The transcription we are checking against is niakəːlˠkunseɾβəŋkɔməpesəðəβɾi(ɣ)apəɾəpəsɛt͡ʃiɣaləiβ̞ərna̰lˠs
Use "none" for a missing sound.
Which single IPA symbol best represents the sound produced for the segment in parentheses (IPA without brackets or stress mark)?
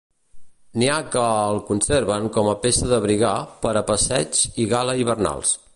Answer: ɣ